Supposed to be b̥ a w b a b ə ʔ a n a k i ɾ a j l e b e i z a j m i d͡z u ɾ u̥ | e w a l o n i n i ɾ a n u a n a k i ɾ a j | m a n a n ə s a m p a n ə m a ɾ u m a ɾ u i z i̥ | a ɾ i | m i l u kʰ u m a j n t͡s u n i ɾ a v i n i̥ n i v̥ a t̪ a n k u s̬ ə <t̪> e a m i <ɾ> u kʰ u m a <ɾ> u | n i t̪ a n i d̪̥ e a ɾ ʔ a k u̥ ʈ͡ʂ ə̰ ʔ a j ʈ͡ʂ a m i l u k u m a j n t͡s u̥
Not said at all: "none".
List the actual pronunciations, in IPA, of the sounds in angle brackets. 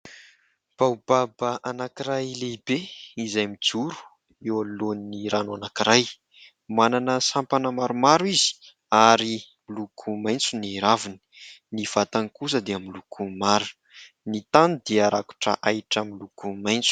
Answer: d̪, l, ɾ

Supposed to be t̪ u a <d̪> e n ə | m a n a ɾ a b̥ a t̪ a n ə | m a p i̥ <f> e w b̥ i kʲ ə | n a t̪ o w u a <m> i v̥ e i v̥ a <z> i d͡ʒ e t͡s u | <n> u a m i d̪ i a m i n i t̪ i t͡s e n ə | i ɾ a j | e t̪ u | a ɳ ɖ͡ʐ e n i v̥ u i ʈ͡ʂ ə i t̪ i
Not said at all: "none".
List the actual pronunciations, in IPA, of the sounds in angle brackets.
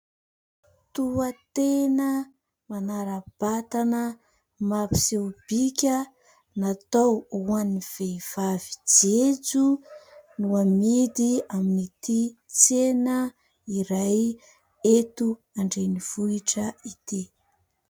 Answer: t̪, s, n, v, n

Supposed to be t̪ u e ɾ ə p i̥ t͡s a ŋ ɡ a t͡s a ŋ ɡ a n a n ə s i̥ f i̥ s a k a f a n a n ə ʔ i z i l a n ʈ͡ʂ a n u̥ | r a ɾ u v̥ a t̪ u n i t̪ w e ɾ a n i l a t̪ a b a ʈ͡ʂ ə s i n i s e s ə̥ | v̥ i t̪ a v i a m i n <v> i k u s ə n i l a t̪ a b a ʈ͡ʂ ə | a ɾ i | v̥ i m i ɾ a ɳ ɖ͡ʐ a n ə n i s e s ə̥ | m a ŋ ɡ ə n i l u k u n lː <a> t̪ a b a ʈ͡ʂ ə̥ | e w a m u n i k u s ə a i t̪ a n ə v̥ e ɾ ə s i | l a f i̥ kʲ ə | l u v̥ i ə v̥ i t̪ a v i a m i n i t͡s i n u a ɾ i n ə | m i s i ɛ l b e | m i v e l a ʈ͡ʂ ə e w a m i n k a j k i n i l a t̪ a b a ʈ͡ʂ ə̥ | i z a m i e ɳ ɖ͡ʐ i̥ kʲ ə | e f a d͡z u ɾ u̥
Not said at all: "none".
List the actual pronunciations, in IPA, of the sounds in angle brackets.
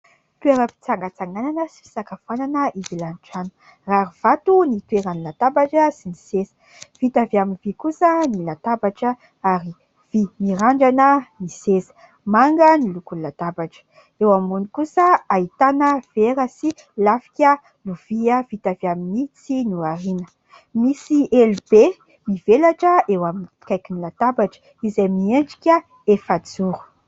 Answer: v, a

